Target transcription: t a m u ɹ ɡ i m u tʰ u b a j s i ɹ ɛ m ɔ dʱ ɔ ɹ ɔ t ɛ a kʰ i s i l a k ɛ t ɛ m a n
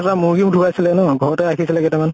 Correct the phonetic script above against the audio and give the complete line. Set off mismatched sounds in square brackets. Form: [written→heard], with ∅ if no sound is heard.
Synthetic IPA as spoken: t a m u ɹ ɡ i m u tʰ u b a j s i [ɹ→l] ɛ [m→n] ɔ [dʱ→ɡʱ] ɔ ɹ ɔ t ɛ a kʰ i s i l [a→ɛ] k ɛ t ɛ m a n

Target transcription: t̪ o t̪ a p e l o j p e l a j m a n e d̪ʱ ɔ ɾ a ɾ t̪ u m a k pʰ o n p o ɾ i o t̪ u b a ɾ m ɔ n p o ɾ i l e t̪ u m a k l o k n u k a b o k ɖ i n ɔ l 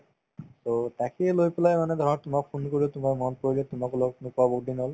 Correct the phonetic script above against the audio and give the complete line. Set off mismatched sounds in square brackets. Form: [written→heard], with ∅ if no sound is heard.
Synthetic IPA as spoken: t̪ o t̪ a [p→k] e l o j p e l a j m a n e d̪ʱ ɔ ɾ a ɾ t̪ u m a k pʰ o n [p→k] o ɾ i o t̪ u [b→m] a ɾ m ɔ n p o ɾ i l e t̪ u m a k l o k n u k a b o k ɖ i n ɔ l

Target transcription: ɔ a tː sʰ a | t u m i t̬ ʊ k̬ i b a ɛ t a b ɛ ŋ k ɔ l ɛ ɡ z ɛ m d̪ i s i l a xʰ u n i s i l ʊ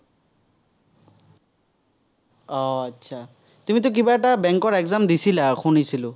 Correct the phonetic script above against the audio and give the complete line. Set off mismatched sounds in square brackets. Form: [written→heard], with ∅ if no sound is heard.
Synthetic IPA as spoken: ɔ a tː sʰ a | t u m i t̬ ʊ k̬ i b a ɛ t a b ɛ ŋ k ɔ [l→ɹ] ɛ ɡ z [ɛ→a] m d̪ i s i l a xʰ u n i s i l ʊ

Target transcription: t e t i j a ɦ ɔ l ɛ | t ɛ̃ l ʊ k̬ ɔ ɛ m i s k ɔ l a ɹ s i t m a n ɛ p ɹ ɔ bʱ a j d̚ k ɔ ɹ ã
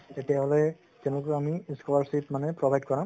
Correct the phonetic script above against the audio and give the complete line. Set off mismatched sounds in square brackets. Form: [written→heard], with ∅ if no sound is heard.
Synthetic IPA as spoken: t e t i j a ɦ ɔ l ɛ | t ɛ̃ l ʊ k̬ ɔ [ɛ→a] m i s k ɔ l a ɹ s i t m a n ɛ p ɹ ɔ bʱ a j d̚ k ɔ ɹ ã

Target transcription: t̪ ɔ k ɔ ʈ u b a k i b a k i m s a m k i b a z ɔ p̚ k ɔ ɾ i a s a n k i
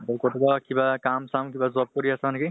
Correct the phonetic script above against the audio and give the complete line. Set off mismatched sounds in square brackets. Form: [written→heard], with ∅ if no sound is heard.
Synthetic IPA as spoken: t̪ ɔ k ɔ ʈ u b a k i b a k [i→a] m s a m k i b a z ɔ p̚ k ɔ ɾ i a s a n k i

